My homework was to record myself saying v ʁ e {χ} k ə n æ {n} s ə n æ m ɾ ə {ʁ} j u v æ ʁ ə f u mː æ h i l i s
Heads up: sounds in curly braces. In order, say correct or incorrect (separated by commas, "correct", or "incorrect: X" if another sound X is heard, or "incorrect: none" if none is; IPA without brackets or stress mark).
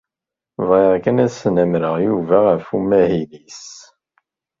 incorrect: ʁ, incorrect: none, correct